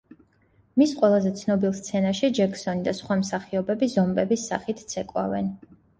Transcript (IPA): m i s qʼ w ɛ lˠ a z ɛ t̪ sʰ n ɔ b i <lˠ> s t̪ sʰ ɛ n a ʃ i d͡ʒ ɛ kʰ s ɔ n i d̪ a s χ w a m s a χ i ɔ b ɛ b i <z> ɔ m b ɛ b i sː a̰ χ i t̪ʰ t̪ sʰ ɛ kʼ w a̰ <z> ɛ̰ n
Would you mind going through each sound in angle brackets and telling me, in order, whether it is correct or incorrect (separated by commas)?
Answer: correct, correct, incorrect